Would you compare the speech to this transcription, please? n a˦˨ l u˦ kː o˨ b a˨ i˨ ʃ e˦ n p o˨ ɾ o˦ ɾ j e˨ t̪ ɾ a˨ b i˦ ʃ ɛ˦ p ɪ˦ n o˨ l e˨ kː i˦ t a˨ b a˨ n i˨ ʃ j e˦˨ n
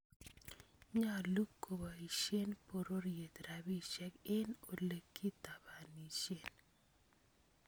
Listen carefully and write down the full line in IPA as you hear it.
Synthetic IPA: ɲ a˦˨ l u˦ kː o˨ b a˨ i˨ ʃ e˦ n p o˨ ɾ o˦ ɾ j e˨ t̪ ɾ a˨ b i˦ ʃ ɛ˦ k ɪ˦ n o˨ l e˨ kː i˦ t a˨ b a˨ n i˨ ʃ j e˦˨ n